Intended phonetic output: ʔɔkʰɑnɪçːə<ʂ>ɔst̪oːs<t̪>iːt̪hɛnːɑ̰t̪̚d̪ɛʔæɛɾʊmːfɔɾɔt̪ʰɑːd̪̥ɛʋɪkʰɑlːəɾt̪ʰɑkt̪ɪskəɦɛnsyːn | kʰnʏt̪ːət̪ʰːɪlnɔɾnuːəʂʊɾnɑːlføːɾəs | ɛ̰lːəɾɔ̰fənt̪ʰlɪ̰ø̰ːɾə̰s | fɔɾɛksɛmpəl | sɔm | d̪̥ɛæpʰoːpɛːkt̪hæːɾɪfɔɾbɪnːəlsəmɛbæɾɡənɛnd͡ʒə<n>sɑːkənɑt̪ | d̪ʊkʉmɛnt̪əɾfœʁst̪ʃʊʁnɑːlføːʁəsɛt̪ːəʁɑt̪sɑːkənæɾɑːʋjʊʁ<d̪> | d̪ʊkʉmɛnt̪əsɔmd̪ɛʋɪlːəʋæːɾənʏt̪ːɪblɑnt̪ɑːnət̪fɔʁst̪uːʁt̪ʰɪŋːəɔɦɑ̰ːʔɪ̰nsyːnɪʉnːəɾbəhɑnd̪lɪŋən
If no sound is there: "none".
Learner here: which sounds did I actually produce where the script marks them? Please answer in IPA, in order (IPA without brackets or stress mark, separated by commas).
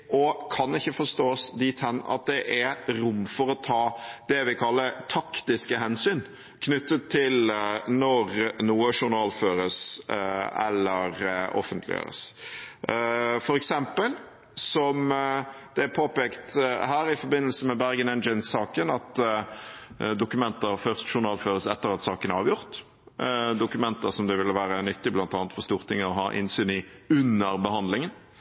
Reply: f, d̪, n, t̪